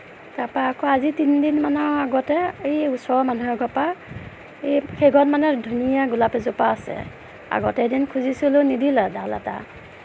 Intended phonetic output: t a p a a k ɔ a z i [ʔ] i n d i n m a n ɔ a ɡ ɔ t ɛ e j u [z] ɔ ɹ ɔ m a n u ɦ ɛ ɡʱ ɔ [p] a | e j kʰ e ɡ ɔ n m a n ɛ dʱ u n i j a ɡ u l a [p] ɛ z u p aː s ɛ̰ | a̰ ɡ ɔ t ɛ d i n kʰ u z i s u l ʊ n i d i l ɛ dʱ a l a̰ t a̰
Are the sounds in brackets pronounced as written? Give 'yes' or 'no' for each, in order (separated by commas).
no, no, yes, yes